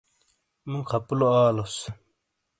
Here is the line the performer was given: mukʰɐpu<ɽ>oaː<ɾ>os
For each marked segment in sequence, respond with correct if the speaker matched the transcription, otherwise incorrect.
incorrect, incorrect

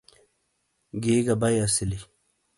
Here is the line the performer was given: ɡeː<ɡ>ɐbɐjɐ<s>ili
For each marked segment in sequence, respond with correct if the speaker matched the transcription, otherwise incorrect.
correct, correct

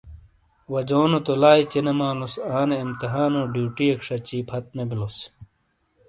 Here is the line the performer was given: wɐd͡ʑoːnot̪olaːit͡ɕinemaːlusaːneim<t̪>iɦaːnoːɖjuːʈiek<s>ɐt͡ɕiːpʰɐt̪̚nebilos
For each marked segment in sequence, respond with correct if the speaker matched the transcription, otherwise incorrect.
correct, incorrect

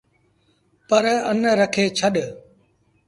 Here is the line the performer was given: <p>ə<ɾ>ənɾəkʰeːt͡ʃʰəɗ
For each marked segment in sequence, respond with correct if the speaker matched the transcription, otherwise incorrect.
correct, correct

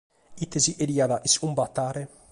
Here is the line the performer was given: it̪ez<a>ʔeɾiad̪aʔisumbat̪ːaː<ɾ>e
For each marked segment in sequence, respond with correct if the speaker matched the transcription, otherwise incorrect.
incorrect, correct

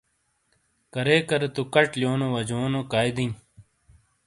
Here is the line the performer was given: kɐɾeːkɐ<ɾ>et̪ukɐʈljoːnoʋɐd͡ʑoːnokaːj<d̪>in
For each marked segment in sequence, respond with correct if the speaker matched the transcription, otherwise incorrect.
correct, correct

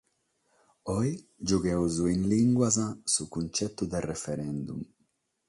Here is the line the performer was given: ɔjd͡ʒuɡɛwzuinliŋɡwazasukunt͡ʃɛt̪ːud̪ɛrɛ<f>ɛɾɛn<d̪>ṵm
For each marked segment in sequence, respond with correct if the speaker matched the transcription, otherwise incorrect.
correct, correct

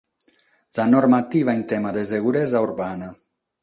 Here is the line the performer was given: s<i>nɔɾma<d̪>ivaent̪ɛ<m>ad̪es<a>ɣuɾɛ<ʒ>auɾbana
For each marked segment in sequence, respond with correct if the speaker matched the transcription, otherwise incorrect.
incorrect, incorrect, correct, incorrect, incorrect

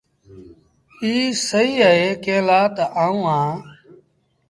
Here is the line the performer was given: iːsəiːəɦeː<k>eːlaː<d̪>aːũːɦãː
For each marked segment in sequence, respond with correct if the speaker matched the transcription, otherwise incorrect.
correct, incorrect

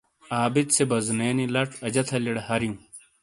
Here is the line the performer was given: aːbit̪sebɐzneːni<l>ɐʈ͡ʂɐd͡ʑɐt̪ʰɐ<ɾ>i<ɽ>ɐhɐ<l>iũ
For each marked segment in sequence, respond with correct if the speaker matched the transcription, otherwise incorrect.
correct, incorrect, correct, incorrect

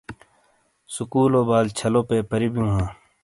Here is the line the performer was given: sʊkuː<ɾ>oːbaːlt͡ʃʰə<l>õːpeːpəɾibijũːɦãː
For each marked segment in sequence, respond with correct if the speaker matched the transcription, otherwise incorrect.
incorrect, correct

